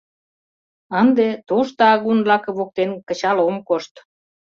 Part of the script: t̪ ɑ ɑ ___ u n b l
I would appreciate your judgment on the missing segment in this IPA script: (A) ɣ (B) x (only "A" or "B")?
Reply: A